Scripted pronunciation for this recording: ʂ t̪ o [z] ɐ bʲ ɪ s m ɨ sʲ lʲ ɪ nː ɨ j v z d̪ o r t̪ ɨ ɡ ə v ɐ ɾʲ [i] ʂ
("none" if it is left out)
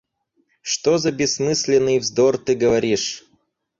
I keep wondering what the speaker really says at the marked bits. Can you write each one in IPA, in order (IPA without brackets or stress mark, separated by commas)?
z, i